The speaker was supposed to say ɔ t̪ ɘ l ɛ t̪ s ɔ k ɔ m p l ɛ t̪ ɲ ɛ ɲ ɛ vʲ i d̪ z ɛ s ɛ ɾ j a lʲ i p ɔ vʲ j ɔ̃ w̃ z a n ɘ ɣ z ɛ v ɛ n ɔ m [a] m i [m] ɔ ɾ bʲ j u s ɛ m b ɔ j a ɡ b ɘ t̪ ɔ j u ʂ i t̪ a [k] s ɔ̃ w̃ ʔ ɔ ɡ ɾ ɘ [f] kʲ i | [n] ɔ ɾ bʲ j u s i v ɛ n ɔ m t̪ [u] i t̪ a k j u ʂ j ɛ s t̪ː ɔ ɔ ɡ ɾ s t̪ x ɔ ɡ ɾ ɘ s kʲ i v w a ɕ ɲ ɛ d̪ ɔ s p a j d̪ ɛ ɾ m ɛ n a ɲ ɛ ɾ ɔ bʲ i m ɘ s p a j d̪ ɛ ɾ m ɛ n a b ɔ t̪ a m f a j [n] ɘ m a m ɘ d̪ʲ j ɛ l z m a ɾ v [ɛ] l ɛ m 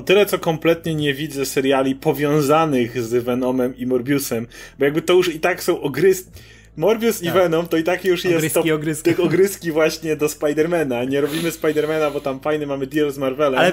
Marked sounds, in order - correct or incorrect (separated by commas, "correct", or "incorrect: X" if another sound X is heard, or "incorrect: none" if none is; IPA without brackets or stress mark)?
incorrect: ɛ, correct, correct, incorrect: s, incorrect: m, incorrect: ɔ, correct, correct